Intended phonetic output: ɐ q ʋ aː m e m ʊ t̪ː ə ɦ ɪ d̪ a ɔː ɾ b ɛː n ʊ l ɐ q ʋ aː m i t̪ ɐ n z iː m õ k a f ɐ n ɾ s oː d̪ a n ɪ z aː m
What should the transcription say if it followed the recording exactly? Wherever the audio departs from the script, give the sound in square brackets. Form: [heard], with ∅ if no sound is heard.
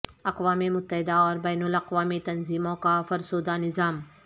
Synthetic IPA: ɐ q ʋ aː m e m ʊ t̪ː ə ɦ ɪ d̪ a ɔː ɾ b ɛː n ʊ l ɐ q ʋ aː m i t̪ ɐ n z iː m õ k a f ɐ [∅] ɾ s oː d̪ a n ɪ z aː m

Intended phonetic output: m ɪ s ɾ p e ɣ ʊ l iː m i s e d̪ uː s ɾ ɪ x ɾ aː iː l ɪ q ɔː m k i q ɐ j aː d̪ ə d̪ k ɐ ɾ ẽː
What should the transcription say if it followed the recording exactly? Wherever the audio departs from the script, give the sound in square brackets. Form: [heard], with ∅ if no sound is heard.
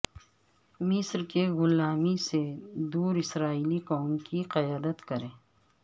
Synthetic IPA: m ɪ s ɾ [k] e ɣ ʊ l [aː] m i s e d̪ uː [∅] ɾ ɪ [s] ɾ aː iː l [i] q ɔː m k i q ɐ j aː d̪ ə [t̪] k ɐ ɾ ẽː

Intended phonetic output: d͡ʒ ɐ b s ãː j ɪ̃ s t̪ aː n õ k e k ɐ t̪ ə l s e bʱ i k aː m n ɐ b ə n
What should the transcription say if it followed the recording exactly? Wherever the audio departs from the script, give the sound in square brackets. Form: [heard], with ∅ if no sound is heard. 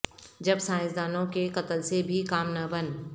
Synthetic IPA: d͡ʒ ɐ b s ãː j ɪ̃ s [d̪] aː n õ k e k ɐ t̪ ə l s e bʱ i k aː m n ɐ b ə n

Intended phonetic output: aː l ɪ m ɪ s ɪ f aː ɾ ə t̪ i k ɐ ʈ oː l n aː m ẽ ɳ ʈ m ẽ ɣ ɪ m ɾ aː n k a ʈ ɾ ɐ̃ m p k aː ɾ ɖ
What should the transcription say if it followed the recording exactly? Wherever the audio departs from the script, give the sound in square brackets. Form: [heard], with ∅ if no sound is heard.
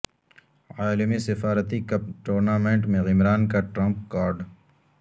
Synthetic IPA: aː l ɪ m [i] s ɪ f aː ɾ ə t̪ i k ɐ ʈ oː [ɾ] n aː m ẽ ɳ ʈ m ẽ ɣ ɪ m ɾ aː n k a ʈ ɾ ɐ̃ m p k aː ɾ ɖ

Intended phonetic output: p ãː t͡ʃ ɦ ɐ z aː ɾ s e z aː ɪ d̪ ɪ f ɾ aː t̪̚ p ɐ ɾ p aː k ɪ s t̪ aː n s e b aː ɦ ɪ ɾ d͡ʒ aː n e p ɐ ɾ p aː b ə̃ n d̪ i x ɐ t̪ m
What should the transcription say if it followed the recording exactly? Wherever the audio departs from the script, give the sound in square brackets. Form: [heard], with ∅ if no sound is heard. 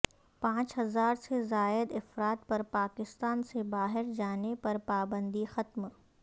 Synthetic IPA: p ãː t͡ʃ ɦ ɐ z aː ɾ s e z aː ɪ d̪ ɪ f ɾ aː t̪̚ p ɐ ɾ p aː k ɪ s t̪ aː n s e b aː ɦ ɪ ɾ d͡ʒ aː n e p ɐ ɾ p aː b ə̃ n d̪ i x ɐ t̪ m

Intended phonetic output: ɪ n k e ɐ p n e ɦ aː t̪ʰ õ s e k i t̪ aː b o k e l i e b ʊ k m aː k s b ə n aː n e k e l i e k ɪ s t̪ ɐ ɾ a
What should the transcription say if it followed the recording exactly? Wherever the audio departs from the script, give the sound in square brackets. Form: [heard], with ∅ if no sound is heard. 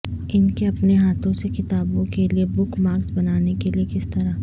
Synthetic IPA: ɪ n k e ɐ p n e ɦ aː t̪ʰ õ s e k [ɪ] t̪ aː b [õ] k e l i e b ʊ k m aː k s b [ɐ] n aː n e k e l i e k ɪ s t̪ ɐ ɾ a

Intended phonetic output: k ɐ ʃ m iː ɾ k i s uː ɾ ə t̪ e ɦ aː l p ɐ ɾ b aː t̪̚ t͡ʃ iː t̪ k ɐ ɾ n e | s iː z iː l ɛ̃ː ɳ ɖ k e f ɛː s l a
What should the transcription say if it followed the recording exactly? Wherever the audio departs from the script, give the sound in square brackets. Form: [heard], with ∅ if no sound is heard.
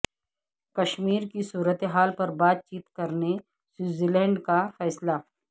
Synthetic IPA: k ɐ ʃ m iː ɾ k i s uː ɾ ə t̪ e ɦ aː l p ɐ ɾ b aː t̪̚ t͡ʃ iː t̪ k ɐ ɾ n e | s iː z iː l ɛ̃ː ɳ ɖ k [a] f ɛː s l a

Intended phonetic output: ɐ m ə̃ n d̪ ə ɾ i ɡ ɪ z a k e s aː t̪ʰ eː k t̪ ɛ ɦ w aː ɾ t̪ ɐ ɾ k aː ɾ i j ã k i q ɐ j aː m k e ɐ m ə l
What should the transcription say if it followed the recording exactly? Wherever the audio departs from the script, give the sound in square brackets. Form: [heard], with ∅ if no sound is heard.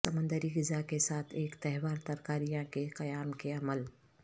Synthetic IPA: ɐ m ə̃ n d̪ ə ɾ i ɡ ɪ z a k e s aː t̪ʰ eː k t̪ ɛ ɦ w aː ɾ t̪ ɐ ɾ k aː ɾ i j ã k [e] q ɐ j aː m k e ɐ m ə l

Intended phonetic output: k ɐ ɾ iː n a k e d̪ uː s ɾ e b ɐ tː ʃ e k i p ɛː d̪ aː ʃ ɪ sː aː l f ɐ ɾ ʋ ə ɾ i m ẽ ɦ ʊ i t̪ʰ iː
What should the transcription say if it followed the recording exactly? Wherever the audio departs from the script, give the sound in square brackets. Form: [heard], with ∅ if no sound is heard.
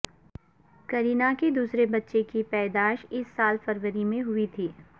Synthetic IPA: k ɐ ɾ iː n a k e d̪ uː s ɾ e b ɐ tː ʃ e k i p ɛː d̪ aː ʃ ɪ sː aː l f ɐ ɾ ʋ ə ɾ i m ẽ ɦ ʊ i t̪ʰ iː

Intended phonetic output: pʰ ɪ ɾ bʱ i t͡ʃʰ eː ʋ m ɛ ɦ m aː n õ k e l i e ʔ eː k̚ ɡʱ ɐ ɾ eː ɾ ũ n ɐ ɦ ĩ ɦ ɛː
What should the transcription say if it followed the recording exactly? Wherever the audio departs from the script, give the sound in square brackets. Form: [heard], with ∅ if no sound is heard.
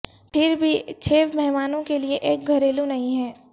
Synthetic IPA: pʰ ɪ ɾ bʱ i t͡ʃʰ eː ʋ m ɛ ɦ m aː n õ k e l i e ʔ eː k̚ ɡʱ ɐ ɾ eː [l] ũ n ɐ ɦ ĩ ɦ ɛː

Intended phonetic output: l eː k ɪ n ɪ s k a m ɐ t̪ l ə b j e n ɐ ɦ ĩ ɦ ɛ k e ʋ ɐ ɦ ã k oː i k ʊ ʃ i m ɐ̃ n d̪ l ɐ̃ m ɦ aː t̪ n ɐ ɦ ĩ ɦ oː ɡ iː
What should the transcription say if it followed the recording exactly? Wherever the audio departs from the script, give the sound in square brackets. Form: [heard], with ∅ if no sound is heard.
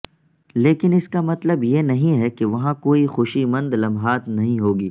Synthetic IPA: l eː k ɪ n ɪ s k a m ɐ t̪ l ə b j e n ɐ ɦ ĩ ɦ ɛ k e ʋ ɐ ɦ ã k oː i [x] ʊ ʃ i m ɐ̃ n d̪ l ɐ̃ m ɦ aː t̪ n ɐ ɦ ĩ ɦ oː ɡ iː

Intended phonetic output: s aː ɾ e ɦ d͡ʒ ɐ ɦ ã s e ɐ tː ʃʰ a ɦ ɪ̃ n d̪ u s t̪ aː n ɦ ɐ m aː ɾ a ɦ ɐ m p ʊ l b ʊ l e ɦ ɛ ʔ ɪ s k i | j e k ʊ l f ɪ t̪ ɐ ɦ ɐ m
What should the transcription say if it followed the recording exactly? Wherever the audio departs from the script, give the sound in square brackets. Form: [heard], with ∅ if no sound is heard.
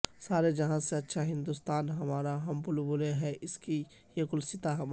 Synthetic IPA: s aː ɾ e [∅] d͡ʒ ɐ ɦ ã s e ɐ tː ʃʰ a ɦ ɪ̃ n d̪ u s t̪ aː n ɦ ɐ m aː ɾ a ɦ ɐ m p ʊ l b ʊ l e ɦ ɛ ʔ ɪ s k i | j e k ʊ l [s] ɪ t̪ [a] ɦ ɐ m

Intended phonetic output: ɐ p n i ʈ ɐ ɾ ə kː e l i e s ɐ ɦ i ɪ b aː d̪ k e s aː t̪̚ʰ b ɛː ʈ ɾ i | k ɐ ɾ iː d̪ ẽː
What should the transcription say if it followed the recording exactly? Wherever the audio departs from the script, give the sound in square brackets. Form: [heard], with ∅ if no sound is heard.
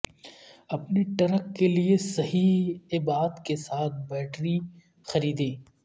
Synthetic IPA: ɐ p n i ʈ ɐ ɾ ə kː e l i e s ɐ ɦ i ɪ b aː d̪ k e s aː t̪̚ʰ b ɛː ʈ ɾ i | [x] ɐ ɾ iː d̪ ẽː

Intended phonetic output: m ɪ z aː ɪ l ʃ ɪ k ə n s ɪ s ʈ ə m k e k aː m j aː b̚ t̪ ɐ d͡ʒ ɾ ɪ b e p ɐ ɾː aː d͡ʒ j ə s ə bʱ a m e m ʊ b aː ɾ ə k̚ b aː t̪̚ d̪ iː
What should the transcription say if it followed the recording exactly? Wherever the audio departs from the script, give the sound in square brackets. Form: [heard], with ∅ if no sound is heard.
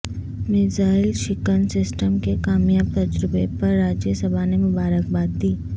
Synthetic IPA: m ɪ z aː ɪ l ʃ ɪ k ə n s ɪ s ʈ ə m k e k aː m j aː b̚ t̪ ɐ d͡ʒ ɾ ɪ b e p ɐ ɾː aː d͡ʒ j ə s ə bʱ a [n] e m ʊ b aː ɾ ə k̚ b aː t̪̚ d̪ iː

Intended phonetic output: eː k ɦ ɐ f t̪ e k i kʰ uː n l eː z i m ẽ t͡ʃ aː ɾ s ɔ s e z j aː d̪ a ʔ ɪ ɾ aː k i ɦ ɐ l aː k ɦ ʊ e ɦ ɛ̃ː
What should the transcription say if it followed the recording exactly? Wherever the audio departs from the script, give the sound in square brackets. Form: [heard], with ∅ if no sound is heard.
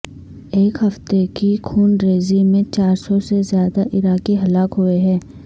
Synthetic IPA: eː k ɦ ɐ f t̪ e k i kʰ uː n [ɾ] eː z i m ẽ t͡ʃ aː ɾ s ɔ s e z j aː d̪ a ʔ ɪ ɾ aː k i ɦ ɐ l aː k ɦ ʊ e ɦ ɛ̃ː

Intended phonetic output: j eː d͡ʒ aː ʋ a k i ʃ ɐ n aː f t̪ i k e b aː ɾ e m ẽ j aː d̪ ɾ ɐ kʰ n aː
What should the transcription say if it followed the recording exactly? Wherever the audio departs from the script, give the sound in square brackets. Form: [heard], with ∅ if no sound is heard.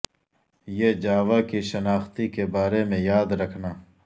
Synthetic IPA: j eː d͡ʒ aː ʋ a k i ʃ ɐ n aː [x] t̪ i k e b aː ɾ e m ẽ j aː d̪ ɾ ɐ kʰ n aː

